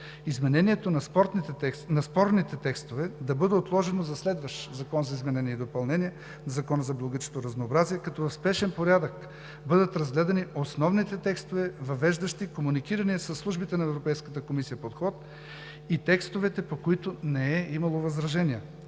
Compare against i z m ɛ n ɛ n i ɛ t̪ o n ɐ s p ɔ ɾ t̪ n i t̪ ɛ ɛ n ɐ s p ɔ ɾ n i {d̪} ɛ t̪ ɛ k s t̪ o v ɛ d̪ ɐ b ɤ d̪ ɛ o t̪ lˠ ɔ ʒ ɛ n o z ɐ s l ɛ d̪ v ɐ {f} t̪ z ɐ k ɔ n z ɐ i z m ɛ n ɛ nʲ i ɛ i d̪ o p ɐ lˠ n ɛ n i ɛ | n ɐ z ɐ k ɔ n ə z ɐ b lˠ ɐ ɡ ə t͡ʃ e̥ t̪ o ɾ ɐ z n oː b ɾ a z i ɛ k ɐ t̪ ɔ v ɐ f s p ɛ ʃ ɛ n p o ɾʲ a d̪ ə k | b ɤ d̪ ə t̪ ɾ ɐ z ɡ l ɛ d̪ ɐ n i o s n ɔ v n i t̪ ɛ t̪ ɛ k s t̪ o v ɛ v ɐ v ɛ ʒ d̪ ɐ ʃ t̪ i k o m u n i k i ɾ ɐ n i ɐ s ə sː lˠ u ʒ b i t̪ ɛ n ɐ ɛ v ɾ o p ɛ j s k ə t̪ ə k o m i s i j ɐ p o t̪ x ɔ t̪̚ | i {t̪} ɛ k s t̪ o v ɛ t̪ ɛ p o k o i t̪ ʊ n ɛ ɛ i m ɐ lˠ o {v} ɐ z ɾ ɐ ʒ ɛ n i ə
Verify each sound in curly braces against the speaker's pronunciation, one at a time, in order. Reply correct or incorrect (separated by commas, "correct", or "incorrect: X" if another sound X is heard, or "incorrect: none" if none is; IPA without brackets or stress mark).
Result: incorrect: t̪, incorrect: ʃ, correct, correct